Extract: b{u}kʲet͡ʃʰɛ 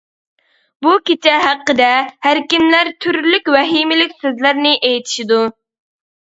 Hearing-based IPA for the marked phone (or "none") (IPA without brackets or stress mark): u